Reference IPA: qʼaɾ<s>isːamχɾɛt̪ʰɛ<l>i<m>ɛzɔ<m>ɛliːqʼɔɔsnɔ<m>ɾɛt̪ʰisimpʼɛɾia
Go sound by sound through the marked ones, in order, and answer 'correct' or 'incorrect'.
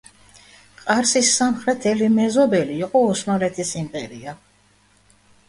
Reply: correct, correct, correct, incorrect, incorrect

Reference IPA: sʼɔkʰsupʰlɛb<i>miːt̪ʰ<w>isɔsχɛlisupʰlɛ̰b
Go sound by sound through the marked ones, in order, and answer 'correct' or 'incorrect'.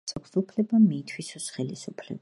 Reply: incorrect, correct

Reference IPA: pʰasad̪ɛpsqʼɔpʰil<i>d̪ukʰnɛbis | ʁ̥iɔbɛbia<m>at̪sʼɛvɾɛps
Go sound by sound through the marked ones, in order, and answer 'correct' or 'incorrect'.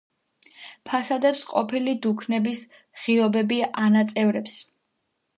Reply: correct, incorrect

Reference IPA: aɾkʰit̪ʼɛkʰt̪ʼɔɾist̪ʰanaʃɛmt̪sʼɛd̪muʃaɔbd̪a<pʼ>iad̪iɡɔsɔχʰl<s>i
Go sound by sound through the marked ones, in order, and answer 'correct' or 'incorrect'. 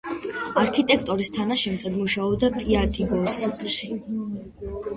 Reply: correct, incorrect

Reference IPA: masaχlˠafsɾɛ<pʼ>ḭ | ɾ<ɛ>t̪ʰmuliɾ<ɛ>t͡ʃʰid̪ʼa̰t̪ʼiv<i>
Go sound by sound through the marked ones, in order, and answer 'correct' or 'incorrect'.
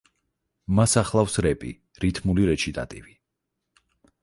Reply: correct, incorrect, correct, correct

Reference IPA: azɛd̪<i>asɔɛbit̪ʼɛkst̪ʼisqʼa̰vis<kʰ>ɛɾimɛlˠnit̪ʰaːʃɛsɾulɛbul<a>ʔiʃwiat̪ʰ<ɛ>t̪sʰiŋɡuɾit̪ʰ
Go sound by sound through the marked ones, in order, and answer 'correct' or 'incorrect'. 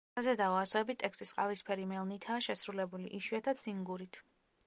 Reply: incorrect, incorrect, incorrect, incorrect

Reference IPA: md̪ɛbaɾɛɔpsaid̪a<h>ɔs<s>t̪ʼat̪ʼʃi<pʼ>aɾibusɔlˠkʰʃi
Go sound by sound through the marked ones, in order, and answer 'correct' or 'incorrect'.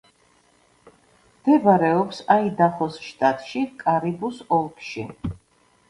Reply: incorrect, incorrect, incorrect

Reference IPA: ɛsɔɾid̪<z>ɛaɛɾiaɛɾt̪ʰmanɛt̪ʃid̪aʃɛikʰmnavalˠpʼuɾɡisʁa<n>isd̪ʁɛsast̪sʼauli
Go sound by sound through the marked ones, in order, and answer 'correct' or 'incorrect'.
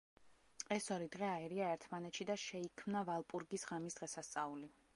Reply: incorrect, incorrect

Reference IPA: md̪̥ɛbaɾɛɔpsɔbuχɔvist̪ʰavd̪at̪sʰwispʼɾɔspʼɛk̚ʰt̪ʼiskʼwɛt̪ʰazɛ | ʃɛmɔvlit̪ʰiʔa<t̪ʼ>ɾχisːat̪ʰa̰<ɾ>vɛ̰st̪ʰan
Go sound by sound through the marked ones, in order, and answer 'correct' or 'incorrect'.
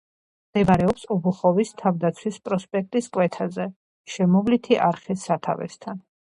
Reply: incorrect, incorrect

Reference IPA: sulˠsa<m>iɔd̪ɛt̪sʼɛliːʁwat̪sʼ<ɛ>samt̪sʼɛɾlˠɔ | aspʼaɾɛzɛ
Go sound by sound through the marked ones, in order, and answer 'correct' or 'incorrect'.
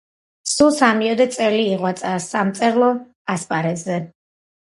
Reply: correct, incorrect

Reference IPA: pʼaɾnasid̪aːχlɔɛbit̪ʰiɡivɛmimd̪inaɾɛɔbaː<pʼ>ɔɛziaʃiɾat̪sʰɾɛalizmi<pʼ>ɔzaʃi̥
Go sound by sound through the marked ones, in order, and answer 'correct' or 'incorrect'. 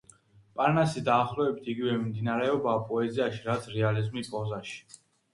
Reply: correct, correct

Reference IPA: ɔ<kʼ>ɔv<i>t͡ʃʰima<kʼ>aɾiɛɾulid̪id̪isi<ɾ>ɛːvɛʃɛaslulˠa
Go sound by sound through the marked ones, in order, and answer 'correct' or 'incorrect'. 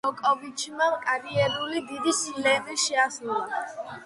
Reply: correct, correct, correct, incorrect

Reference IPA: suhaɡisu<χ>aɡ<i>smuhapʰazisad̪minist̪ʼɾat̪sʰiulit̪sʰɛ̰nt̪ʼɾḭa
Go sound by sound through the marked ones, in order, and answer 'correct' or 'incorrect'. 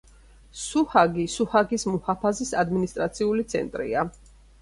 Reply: incorrect, correct

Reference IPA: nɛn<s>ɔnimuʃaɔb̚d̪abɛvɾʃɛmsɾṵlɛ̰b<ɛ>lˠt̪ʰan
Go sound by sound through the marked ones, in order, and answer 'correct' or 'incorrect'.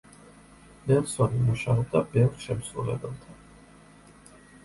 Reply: correct, correct

